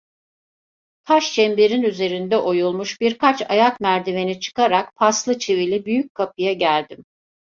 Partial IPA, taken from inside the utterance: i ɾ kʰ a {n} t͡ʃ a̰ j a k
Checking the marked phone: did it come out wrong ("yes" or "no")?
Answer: yes